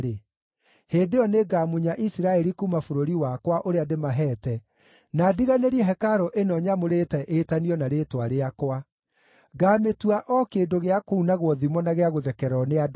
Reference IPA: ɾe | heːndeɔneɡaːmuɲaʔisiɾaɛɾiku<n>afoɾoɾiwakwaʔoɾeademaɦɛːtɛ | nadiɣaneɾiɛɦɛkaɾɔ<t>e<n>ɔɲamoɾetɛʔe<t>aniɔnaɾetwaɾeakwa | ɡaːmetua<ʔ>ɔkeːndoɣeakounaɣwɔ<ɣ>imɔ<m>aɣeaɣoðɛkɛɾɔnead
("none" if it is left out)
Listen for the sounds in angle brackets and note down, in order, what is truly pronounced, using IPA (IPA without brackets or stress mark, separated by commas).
m, ʔ, n, t, ʔ, ð, n